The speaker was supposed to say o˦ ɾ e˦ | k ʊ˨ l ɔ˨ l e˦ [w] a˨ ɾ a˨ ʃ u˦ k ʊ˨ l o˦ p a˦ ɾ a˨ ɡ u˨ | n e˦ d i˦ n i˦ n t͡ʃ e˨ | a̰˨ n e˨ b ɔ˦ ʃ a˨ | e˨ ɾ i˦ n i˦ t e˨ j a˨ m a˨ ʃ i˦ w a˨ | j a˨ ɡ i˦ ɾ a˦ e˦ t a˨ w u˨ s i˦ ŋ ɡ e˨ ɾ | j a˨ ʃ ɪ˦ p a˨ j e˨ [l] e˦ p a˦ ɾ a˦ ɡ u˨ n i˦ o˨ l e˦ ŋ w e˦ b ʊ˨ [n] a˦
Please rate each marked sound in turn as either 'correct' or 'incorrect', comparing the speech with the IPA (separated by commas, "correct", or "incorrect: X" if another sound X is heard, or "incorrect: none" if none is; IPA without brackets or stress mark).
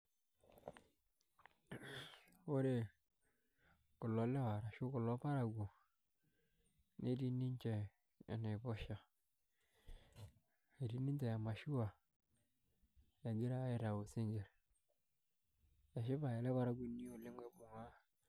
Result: correct, correct, incorrect: ŋ